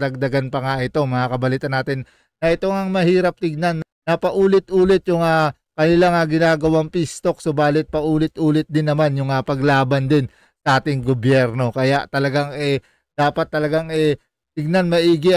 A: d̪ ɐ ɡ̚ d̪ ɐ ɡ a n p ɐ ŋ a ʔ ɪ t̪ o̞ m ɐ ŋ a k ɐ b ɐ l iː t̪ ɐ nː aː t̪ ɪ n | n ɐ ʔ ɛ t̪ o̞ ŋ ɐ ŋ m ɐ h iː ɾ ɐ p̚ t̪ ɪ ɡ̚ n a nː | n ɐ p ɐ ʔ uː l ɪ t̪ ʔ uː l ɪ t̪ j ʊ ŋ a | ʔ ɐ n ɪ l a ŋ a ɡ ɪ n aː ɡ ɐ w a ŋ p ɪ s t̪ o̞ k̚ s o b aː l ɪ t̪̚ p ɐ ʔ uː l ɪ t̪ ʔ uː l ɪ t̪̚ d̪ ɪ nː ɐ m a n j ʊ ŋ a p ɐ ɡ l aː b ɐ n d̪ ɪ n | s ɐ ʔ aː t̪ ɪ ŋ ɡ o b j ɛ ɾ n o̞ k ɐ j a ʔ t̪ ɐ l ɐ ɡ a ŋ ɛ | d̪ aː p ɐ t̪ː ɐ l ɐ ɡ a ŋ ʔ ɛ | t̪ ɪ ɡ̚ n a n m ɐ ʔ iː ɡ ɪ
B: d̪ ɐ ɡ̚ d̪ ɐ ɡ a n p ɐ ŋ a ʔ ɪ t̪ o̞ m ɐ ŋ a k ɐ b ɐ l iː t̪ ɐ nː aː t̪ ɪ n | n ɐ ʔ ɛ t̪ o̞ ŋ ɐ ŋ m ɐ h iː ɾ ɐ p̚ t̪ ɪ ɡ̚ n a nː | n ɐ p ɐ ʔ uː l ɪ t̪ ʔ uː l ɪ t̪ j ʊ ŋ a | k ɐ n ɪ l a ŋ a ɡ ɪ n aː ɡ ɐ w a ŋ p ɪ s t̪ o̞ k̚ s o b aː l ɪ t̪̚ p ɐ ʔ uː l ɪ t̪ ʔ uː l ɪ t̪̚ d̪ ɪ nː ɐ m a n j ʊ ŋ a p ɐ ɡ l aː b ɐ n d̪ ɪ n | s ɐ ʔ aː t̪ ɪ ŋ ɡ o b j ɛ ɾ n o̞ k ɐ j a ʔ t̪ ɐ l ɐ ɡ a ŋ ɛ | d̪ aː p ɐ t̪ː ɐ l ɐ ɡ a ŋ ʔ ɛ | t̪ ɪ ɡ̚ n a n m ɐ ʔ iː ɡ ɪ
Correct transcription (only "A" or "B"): B